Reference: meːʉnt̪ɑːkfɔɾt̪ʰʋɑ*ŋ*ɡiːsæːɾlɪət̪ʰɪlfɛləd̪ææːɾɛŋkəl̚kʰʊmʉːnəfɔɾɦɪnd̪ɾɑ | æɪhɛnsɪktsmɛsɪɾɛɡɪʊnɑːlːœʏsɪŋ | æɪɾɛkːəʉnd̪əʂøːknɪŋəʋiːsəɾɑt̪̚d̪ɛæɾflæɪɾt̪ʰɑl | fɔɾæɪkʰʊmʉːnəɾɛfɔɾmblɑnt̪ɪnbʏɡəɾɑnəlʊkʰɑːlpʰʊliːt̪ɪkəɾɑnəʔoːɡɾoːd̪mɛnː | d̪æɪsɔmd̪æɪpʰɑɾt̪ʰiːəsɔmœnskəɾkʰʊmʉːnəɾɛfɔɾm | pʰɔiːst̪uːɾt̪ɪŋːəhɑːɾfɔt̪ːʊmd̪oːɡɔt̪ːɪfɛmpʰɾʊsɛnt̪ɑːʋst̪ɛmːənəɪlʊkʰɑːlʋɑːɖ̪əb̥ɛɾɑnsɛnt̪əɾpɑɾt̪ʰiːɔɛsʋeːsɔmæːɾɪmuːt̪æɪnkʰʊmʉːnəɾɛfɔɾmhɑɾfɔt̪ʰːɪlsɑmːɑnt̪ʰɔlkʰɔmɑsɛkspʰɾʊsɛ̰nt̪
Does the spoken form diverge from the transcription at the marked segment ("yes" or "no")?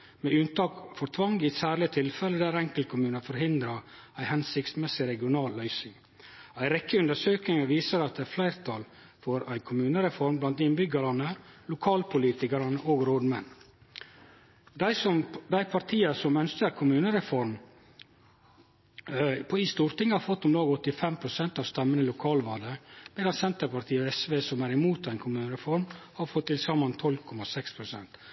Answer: no